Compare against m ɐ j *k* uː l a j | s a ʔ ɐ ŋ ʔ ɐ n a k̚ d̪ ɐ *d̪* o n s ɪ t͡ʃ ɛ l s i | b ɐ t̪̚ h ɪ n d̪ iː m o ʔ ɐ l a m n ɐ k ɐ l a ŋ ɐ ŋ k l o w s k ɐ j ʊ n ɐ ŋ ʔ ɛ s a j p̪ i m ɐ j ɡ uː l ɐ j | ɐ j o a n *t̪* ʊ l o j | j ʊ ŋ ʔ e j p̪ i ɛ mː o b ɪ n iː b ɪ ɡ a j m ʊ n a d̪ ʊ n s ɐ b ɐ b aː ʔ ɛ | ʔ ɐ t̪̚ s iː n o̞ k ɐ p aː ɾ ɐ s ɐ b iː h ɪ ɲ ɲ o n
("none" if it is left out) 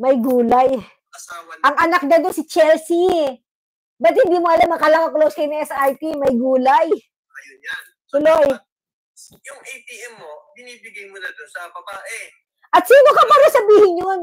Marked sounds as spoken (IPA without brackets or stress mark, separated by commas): ɡ, d̪, t̪